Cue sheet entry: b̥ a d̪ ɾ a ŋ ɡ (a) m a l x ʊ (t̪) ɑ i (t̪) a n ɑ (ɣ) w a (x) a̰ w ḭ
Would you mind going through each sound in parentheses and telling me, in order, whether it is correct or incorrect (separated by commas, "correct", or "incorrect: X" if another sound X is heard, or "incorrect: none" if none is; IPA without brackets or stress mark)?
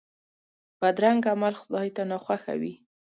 correct, incorrect: d̪, correct, incorrect: x, correct